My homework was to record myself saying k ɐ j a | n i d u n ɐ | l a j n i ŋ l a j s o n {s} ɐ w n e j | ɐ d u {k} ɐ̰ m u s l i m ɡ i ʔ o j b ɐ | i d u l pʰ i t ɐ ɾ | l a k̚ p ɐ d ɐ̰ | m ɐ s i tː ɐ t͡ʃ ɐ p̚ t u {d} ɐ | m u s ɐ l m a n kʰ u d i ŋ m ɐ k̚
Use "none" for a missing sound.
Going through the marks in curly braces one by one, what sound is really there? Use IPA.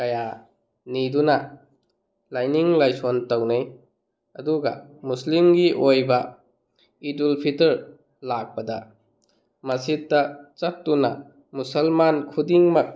t, ɡ, n

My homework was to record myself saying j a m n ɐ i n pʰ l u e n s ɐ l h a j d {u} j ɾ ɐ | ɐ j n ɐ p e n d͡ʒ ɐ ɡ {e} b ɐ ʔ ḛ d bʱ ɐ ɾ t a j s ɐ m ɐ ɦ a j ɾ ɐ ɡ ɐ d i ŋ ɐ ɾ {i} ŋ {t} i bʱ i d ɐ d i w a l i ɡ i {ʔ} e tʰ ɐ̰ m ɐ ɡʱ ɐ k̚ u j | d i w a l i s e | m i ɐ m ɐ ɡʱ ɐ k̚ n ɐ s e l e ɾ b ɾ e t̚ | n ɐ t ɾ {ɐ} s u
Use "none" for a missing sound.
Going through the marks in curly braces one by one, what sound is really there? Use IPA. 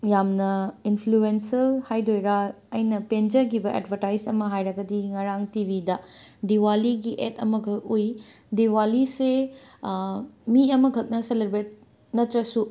o, i, a, t, ʔ, ɐ

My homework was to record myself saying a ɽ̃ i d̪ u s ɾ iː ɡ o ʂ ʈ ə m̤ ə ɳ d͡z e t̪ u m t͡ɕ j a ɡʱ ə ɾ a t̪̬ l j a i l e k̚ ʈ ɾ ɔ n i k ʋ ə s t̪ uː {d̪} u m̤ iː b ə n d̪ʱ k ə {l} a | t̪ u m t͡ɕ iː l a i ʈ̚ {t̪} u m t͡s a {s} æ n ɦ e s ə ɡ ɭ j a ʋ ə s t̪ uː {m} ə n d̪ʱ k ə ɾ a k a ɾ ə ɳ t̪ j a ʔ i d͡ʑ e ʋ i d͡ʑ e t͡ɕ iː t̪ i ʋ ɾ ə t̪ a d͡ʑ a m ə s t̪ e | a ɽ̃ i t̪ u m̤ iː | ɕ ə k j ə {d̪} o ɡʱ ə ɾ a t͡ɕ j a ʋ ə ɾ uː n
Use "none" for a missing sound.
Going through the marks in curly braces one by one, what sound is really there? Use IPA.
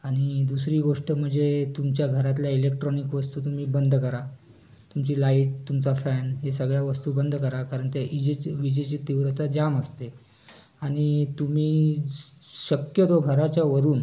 t̪, ɾ, t̪, f, b, t̪

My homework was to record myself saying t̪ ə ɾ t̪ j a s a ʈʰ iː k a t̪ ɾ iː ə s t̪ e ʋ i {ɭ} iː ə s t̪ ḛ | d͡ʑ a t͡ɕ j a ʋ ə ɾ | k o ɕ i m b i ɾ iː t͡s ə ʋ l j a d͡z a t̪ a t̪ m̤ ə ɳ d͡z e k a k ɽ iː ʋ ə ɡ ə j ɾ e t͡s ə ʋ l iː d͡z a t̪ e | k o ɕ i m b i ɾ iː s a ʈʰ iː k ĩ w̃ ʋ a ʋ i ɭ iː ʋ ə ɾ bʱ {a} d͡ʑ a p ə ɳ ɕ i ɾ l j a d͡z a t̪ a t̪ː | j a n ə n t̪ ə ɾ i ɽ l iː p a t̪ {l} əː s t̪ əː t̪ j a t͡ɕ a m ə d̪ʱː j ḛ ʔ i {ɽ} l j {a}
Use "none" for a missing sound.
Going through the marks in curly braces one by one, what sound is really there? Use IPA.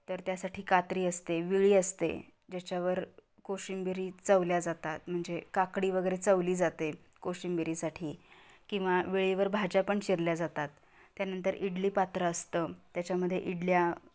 ɭ, a, ɾ, ɽ, a

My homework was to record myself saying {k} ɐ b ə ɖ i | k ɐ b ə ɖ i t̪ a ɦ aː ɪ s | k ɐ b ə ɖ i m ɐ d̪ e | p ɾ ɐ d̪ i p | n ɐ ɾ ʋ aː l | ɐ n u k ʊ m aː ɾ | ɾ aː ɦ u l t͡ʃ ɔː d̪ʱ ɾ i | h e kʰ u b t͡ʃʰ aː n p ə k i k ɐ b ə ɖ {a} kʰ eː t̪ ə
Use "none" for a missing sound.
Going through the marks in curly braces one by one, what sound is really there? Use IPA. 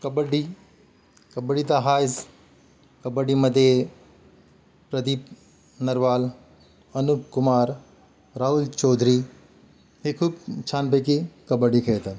k, i

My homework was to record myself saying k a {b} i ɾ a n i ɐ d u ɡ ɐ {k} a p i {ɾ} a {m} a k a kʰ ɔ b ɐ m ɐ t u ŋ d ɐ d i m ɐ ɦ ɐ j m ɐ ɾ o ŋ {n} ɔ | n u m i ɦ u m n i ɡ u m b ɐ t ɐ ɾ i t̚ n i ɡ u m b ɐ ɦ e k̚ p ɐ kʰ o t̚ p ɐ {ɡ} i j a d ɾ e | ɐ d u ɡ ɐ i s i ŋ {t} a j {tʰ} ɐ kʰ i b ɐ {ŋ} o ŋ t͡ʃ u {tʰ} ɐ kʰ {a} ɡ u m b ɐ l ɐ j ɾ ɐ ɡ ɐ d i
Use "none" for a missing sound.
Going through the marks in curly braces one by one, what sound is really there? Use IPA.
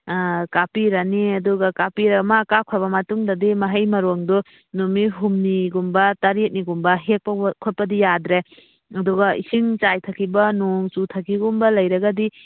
p, k, ɾ, m, d, d, t͡ʃ, tʰ, n, tʰ, i

